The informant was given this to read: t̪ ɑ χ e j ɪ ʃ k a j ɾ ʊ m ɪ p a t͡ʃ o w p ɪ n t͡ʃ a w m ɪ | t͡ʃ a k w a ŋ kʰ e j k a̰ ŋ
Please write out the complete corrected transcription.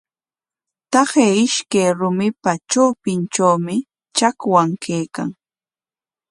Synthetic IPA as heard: t̪ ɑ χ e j ɪ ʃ k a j ɾ ʊ m ɪ p a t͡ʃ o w p ɪ n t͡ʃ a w m ɪ | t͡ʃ a k w a ŋ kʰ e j k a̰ ŋ